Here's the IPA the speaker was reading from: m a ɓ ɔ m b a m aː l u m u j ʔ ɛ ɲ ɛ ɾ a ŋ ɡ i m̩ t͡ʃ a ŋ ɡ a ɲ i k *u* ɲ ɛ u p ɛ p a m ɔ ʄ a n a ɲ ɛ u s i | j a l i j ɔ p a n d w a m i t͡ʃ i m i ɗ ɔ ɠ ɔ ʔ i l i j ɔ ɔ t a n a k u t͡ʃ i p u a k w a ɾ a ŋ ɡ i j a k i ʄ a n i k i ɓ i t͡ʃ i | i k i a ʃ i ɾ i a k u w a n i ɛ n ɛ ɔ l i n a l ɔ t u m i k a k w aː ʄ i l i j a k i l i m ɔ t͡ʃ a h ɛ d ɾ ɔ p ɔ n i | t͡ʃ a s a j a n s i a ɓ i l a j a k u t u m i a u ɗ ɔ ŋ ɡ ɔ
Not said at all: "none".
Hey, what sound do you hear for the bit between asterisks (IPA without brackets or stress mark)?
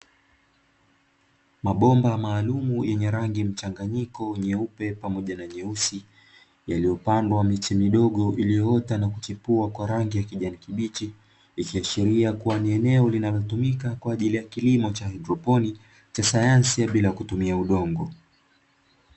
ɔ